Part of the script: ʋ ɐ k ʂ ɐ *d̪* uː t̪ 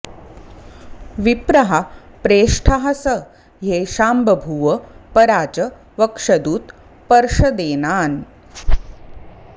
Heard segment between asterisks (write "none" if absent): d̪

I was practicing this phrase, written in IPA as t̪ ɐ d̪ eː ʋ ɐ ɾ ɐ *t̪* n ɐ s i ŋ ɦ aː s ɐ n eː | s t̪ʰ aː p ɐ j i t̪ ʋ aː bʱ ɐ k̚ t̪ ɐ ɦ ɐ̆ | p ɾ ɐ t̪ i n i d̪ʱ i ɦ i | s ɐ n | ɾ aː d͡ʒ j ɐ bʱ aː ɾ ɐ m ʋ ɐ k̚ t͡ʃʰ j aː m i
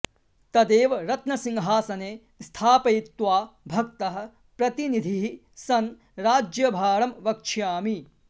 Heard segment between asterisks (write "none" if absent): t̪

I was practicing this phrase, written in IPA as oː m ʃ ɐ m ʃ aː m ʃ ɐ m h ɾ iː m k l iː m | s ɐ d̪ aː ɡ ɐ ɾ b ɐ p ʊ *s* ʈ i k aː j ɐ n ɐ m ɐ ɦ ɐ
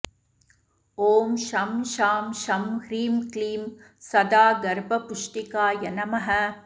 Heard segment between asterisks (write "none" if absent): ʂ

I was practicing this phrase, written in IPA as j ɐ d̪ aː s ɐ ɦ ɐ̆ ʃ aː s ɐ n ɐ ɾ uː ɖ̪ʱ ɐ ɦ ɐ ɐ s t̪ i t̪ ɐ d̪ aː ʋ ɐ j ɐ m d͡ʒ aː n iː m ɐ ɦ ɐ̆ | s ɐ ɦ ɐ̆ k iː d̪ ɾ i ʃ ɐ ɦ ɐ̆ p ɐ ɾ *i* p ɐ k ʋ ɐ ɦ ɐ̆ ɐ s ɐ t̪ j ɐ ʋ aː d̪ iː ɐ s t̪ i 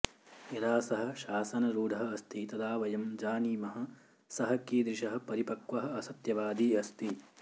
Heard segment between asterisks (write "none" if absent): i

